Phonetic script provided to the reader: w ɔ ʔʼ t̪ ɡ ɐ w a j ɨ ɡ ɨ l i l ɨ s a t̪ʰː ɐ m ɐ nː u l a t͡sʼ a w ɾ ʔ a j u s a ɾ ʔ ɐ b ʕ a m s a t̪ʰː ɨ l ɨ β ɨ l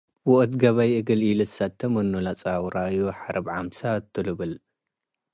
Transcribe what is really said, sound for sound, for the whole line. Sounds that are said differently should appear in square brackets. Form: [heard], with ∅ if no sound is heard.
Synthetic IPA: w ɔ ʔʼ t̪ ɡ ɐ [β] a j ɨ ɡ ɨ l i l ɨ s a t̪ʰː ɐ m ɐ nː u l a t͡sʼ a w ɾ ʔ a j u [ħ] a ɾ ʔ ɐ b ʕ a m s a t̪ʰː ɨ l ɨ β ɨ l

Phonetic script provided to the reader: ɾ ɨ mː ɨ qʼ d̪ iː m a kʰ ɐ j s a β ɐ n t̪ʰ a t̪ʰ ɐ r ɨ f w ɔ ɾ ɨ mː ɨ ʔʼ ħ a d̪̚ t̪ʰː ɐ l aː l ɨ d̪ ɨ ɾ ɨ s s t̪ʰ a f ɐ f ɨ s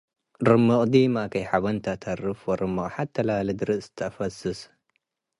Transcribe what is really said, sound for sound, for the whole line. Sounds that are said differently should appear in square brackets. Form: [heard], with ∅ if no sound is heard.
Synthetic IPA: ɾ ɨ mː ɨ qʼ d̪ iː m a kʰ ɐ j [ħ] a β ɐ n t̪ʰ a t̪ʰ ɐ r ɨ f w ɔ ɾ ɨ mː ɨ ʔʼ ħ a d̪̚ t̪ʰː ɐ l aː l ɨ d̪ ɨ ɾ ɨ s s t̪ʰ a f ɐ [s] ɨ s

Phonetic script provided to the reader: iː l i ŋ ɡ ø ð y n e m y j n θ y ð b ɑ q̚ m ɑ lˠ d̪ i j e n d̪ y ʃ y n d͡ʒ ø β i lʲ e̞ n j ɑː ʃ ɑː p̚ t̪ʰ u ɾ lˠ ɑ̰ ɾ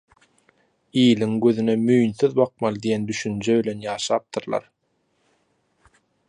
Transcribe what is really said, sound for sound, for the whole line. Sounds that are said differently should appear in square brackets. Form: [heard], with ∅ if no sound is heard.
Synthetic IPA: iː l i ŋ ɡ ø ð y n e m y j n θ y ð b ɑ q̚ m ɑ lˠ d̪ i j e n d̪ y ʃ y n d͡ʒ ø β i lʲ e̞ n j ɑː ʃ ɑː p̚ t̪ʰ [ɯ] ɾ lˠ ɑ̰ ɾ

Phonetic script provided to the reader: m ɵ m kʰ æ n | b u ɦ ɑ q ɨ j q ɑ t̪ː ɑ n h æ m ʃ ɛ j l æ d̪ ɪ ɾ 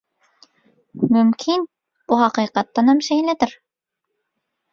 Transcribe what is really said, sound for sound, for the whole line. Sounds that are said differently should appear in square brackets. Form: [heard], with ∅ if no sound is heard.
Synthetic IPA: m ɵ m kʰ [i] n | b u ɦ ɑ q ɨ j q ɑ t̪ː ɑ n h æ m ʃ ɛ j l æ d̪ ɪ ɾ

